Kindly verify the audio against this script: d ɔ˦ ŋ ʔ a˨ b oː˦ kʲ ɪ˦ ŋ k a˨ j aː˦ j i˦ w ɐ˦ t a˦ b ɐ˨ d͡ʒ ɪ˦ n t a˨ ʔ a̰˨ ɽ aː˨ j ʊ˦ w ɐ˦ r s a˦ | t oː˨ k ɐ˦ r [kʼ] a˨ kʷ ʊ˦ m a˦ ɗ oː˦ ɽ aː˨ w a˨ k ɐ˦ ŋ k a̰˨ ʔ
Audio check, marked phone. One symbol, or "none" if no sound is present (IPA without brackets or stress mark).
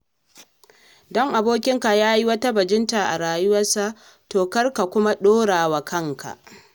k